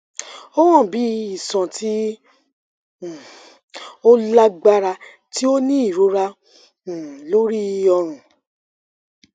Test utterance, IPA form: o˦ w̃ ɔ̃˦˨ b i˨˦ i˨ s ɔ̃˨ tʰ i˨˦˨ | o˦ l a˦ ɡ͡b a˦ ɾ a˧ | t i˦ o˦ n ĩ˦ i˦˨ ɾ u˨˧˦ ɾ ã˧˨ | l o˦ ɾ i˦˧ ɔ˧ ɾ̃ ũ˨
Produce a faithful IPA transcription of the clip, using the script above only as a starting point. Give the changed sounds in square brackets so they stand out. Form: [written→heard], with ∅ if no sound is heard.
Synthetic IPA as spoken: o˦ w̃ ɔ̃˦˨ b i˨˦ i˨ s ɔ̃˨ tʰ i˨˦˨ | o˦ l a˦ ɡ͡b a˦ ɾ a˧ | t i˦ o˦ n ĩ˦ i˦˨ ɾ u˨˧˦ ɾ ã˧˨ | l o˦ ɾ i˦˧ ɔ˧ ɾ̃ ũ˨